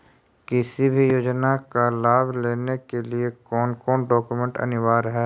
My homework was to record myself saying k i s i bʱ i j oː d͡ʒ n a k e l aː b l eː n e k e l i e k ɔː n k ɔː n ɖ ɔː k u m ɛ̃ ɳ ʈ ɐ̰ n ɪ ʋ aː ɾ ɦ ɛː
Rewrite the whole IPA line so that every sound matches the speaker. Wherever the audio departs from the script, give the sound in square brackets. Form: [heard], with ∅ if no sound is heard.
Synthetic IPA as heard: k [ɪ] s i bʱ i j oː d͡ʒ n a k [a] l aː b l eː n e k e l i e k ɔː n k ɔː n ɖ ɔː k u m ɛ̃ ɳ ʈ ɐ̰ n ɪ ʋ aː ɾ ɦ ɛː